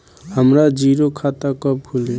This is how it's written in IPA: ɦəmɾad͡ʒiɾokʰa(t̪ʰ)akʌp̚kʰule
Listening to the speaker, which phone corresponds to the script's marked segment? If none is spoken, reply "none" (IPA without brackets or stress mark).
t̪